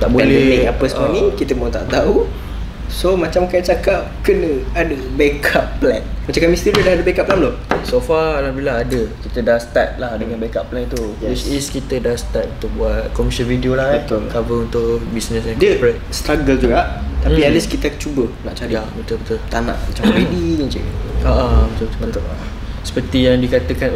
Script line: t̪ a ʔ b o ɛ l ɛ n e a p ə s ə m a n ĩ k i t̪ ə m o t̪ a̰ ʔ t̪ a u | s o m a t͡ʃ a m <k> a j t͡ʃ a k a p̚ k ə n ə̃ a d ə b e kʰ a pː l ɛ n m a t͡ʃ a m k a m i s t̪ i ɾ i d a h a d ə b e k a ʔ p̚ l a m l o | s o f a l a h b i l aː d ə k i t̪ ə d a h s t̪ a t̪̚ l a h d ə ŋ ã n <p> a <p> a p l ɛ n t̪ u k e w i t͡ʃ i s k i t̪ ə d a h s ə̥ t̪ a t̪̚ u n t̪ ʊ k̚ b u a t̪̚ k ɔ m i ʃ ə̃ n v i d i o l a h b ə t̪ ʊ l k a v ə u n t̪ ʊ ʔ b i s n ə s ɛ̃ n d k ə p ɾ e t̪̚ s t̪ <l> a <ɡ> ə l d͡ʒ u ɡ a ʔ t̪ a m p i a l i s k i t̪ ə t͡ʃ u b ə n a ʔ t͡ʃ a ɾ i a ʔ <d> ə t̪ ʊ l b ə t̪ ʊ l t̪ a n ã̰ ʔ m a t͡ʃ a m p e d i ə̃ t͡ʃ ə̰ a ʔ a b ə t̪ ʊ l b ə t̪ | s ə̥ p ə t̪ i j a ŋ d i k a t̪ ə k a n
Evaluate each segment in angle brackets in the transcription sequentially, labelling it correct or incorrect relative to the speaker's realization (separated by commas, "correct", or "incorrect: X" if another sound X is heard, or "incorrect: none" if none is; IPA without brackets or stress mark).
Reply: correct, incorrect: b, incorrect: k, incorrect: ɾ, correct, incorrect: b